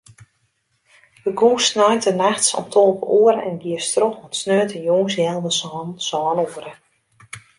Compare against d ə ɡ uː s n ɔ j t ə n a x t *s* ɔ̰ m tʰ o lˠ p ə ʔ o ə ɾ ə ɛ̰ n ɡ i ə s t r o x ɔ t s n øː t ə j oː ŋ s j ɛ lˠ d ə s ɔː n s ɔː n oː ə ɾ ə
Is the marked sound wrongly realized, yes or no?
no